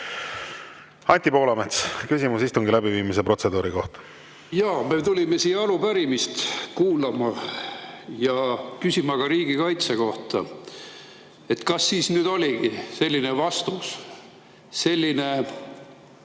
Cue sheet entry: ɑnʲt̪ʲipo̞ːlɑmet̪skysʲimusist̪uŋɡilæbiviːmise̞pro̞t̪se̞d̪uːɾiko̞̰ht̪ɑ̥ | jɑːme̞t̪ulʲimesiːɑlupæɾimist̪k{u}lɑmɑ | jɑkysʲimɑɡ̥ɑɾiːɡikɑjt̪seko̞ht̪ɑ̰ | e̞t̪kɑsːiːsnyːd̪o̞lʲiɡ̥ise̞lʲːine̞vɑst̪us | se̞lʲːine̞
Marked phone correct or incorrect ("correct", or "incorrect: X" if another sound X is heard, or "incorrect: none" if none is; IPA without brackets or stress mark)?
incorrect: uː